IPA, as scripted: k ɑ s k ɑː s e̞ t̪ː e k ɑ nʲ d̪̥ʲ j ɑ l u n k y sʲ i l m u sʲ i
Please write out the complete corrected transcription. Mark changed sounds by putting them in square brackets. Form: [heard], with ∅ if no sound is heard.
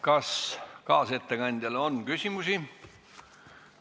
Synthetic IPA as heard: k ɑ s k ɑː s e̞ t̪ː e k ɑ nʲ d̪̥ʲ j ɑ l [o] n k y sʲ i [∅] m u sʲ i